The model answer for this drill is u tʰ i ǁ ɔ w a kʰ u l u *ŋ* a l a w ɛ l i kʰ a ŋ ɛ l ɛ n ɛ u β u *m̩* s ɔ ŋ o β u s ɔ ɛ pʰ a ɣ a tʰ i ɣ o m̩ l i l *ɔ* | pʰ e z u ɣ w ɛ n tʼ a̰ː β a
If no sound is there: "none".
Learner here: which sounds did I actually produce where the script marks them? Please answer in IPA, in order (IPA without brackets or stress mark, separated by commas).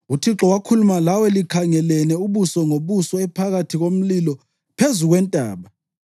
m, none, ɔ